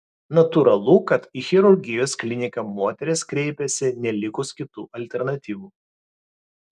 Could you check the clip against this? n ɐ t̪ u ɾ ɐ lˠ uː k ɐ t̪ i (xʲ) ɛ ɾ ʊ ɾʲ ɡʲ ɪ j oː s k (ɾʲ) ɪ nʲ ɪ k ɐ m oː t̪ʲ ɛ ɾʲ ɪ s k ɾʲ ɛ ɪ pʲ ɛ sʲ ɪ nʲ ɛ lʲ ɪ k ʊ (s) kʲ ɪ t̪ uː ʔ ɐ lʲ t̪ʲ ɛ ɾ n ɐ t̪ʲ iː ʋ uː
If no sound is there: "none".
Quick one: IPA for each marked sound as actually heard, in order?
xʲ, lʲ, s

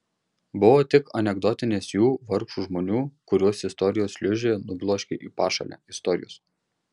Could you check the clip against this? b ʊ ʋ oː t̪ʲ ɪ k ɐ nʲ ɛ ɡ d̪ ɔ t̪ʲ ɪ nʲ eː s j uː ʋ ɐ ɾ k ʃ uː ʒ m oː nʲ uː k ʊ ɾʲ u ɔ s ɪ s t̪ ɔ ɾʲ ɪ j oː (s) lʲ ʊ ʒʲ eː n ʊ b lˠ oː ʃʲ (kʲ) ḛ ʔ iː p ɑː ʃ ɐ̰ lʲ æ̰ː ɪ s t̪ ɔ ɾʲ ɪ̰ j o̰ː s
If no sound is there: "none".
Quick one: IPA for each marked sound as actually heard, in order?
s, kʲ

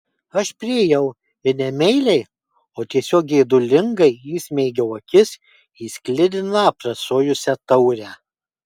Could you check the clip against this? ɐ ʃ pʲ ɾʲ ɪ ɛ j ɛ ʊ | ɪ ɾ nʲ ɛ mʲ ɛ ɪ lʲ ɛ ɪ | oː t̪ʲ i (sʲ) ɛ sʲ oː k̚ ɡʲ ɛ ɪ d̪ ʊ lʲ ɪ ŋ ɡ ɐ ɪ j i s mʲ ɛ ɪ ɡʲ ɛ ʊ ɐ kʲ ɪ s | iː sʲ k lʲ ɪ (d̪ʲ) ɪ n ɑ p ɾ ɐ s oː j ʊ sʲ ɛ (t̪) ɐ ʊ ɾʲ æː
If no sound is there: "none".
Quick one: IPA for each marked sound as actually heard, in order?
none, d̪ʲ, t̪

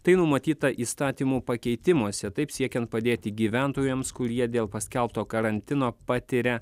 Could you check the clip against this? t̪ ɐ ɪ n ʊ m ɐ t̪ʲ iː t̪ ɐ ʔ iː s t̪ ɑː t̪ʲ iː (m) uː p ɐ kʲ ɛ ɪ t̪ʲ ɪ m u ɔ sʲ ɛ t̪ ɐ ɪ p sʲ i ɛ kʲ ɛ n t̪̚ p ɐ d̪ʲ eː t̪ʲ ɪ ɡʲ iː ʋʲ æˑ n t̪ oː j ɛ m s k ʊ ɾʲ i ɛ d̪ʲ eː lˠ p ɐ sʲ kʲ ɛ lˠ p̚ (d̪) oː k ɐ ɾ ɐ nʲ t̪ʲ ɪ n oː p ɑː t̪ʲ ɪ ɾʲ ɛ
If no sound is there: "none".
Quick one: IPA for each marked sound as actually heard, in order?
m, t̪

